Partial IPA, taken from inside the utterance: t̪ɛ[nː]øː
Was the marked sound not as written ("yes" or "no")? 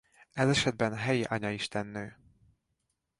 no